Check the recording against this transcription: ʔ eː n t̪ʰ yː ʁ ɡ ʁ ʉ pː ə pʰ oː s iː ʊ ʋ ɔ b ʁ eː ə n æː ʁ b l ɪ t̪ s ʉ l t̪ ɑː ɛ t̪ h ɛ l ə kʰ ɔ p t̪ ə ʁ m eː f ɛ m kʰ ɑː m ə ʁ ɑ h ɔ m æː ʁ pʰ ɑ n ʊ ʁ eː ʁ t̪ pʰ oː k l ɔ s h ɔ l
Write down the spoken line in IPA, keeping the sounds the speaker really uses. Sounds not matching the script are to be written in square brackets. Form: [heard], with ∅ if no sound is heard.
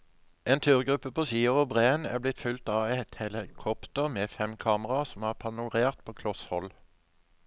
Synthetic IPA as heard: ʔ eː n t̪ʰ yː ʁ ɡ ʁ ʉ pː ə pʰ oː s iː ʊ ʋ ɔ b ʁ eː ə n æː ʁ b l ɪ t̪ [f] ʉ l t̪ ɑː ɛ t̪ h ɛ l ə kʰ ɔ p t̪ ə ʁ m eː f ɛ m kʰ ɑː m ə ʁ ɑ [s] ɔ m æː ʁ pʰ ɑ n ʊ ʁ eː ʁ t̪ pʰ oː [kʰ] l ɔ s h ɔ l